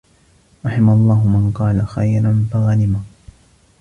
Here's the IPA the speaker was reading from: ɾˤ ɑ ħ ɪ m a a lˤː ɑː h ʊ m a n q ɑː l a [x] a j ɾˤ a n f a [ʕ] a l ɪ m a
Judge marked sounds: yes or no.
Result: yes, no

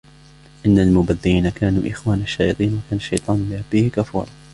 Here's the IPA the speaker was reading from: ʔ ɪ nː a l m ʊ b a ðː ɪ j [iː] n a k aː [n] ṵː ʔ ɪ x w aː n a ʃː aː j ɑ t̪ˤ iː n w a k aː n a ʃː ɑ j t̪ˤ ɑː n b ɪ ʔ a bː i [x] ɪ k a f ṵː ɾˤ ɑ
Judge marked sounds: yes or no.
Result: yes, yes, no

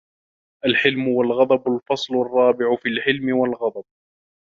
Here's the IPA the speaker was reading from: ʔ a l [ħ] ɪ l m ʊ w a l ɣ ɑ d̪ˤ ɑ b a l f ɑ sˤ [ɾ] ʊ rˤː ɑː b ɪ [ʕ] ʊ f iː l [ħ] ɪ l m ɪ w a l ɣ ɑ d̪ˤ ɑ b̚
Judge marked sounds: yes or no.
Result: yes, no, yes, yes

